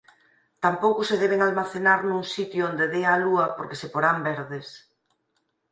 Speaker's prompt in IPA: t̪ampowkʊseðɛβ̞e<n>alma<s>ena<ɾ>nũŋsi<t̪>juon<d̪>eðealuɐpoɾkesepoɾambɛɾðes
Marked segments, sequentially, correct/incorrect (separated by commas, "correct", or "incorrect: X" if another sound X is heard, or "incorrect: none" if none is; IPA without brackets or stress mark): incorrect: ŋ, incorrect: θ, correct, correct, correct